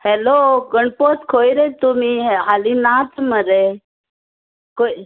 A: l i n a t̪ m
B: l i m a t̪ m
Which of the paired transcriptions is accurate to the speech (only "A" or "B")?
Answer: A